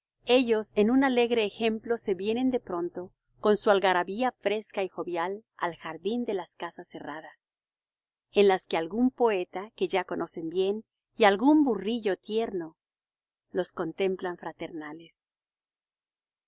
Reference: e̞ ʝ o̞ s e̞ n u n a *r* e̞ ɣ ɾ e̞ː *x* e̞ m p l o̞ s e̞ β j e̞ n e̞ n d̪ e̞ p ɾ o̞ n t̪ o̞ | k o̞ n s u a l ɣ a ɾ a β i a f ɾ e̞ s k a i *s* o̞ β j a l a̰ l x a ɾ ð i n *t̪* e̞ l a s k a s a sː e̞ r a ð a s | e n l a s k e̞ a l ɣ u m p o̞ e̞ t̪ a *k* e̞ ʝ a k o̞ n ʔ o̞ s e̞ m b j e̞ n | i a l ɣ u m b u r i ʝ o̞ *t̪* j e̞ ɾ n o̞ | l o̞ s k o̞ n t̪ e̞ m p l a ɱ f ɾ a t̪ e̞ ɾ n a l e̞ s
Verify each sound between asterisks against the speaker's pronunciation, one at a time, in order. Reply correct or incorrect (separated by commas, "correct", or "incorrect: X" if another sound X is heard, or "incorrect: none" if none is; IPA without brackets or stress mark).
incorrect: l, correct, incorrect: x, incorrect: d̪, correct, correct